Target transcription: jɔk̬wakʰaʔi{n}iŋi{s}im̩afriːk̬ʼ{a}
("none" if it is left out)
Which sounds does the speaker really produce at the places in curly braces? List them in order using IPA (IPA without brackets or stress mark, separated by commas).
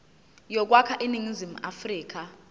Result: n, z, a